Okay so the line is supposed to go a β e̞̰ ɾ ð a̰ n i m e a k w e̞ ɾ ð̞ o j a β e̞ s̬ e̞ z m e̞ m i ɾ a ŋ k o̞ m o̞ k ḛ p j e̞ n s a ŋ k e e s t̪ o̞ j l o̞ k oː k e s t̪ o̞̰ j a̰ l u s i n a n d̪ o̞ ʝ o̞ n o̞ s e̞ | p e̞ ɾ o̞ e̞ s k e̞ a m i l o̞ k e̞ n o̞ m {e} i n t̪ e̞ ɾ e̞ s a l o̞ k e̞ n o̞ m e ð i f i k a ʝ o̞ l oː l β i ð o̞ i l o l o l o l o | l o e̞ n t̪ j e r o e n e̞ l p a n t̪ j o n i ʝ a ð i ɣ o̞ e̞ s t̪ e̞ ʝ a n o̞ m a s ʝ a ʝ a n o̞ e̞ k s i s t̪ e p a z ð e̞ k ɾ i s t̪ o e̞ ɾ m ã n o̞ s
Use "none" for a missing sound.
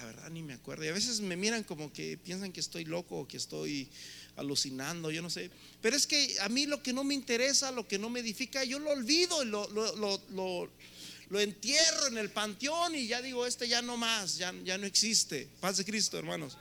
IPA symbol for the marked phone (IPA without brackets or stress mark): e